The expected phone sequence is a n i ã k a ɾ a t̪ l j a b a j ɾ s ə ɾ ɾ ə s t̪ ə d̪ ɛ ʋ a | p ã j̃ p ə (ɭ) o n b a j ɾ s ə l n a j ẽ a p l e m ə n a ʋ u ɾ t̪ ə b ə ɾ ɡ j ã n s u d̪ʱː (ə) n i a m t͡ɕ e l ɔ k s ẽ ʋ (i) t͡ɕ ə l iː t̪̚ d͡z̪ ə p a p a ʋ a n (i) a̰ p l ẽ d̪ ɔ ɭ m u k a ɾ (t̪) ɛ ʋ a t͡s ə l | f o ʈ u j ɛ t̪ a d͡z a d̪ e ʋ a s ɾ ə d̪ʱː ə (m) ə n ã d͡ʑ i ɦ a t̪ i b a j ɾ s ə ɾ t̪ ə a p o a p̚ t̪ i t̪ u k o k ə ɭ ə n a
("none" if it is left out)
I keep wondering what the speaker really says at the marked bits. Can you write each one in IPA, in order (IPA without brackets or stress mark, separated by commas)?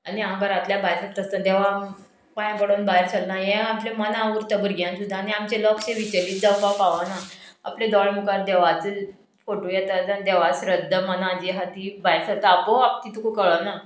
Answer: ɽ, a, i, a, d̪, m